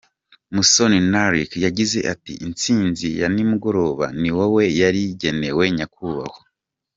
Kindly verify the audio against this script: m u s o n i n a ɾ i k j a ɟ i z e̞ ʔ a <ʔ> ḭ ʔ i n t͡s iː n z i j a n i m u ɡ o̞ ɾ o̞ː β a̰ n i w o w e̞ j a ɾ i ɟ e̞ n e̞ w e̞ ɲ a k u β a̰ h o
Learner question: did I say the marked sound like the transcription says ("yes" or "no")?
no